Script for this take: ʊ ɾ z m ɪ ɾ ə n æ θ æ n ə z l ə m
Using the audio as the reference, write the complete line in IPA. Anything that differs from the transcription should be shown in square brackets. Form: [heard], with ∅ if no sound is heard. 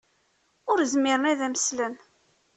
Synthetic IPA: ʊ ɾ z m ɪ ɾ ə n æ [ð] æ [m] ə [s] l ə [n]